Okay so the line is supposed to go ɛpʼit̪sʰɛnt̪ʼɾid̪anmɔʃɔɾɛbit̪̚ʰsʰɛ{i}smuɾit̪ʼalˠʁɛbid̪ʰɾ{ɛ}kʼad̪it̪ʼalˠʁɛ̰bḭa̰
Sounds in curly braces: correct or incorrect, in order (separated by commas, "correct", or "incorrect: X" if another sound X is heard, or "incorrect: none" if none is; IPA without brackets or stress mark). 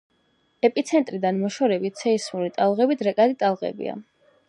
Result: correct, correct